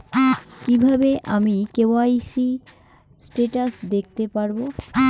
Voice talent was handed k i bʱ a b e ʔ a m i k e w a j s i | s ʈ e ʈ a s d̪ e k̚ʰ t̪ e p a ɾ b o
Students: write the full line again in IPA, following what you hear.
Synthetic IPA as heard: k i bʱ a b e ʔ a m i k e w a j s i | s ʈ e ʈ a s d̪ e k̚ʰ t̪ e p a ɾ b o